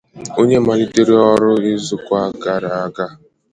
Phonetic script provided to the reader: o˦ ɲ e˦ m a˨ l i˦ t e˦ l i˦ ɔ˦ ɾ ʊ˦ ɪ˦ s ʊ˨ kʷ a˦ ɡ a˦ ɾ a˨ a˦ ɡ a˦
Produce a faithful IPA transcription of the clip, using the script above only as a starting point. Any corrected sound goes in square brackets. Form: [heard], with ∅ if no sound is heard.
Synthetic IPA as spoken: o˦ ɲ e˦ m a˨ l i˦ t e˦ [ɾ] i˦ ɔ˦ ɾ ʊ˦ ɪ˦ [z] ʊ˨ kʷ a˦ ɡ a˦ ɾ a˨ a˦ ɡ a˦